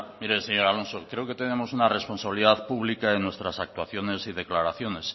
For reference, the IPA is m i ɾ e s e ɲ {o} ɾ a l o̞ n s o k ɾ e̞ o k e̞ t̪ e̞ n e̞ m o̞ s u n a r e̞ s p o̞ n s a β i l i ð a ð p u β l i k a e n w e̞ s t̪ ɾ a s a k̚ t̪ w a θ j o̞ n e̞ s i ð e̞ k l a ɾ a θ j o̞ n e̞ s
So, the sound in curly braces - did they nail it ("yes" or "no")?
yes